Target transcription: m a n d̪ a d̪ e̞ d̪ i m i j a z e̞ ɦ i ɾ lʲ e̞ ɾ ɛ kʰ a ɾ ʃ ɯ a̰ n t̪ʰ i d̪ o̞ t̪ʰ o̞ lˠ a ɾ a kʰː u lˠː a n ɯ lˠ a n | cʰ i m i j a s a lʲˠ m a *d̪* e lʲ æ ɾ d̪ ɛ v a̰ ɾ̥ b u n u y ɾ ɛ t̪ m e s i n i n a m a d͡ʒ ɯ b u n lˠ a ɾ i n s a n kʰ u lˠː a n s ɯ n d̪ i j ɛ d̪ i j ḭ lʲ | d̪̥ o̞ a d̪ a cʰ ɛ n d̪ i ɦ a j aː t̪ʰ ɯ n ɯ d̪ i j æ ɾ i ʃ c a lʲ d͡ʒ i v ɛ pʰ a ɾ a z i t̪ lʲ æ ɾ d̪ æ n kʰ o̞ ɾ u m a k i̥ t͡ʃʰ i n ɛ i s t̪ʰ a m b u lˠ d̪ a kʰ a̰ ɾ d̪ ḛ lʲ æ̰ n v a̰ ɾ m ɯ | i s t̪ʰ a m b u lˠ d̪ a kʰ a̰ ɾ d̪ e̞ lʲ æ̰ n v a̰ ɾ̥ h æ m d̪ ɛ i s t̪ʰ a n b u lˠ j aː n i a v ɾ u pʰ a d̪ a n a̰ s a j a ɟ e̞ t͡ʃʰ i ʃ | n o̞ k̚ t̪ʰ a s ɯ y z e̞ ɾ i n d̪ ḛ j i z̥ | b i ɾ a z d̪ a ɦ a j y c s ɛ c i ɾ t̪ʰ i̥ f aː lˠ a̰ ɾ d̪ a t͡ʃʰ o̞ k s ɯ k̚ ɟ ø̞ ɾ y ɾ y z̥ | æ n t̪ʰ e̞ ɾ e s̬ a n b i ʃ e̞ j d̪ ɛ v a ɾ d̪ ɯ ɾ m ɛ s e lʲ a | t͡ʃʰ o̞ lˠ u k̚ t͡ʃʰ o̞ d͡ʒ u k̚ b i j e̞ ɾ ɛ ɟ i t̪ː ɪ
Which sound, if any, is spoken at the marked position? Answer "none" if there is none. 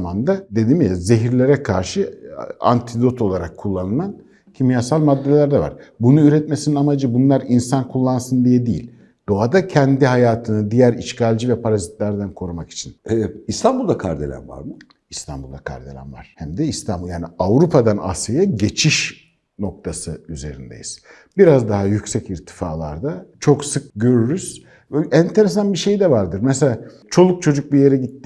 d̪ː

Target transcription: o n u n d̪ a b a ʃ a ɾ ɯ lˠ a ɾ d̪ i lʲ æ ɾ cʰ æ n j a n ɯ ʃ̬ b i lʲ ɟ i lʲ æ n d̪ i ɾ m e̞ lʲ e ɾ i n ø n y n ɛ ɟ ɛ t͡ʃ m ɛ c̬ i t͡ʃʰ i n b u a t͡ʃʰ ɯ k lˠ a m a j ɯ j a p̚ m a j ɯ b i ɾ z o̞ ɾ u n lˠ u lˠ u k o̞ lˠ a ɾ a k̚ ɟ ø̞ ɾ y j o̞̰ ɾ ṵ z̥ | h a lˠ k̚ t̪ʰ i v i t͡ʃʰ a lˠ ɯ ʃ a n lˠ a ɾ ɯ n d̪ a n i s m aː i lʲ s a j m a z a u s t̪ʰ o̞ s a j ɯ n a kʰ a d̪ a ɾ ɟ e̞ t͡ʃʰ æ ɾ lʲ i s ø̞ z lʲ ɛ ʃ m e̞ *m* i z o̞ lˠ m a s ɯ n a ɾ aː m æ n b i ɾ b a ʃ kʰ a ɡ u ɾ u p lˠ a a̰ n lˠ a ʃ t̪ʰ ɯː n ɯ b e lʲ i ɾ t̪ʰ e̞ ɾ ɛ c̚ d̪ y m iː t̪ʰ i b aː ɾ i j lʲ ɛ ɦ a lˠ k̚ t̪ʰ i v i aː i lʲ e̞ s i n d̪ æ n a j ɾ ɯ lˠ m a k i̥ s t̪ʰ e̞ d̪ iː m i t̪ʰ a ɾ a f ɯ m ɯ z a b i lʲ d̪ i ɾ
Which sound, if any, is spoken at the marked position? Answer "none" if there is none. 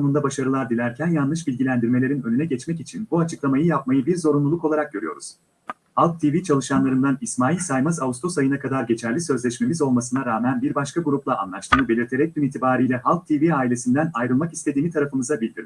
m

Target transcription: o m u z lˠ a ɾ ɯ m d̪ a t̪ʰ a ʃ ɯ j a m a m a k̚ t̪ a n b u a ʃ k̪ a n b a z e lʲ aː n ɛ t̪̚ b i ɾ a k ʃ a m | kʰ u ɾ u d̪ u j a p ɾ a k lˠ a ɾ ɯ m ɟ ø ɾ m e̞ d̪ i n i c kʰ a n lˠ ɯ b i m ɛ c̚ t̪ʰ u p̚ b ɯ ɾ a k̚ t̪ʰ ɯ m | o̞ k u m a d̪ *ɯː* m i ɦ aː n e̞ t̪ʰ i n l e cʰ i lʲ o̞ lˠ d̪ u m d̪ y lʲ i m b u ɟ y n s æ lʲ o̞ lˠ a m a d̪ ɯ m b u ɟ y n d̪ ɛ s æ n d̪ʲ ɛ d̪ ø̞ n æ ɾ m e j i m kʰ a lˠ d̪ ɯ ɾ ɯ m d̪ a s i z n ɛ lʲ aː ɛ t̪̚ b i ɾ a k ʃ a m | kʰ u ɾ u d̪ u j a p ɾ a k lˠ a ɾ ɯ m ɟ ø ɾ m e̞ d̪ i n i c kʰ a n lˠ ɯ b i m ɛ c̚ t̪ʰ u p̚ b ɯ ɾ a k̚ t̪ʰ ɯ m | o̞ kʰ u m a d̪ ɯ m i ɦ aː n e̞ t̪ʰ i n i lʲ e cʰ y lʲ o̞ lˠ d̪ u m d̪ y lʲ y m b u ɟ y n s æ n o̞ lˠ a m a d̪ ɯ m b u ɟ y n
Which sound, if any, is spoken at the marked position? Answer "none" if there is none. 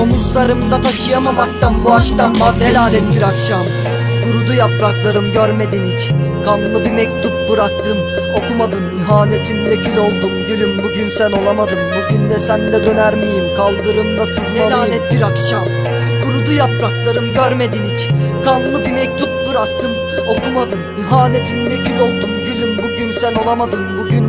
ɯ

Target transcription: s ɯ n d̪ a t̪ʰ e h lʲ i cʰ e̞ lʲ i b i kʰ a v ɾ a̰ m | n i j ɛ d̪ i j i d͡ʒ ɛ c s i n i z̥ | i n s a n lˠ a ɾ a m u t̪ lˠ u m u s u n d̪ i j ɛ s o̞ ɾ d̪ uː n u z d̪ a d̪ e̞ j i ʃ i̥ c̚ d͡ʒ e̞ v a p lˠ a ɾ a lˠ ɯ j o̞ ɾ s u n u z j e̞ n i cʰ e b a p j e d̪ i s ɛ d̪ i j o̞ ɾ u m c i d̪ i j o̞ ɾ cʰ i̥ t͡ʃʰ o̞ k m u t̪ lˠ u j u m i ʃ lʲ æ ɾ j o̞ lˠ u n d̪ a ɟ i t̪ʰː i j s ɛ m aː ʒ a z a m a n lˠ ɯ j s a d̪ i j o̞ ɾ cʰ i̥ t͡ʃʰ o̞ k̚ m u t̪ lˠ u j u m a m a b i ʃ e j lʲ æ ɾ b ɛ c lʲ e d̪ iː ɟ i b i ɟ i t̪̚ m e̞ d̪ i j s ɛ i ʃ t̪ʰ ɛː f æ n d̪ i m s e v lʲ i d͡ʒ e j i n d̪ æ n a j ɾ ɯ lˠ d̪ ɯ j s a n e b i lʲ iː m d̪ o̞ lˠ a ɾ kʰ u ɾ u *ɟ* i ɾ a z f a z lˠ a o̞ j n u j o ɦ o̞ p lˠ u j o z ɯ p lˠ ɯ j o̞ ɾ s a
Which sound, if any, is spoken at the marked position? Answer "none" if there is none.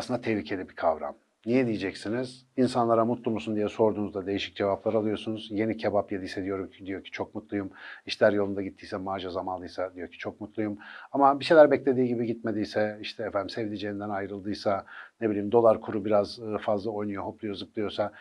b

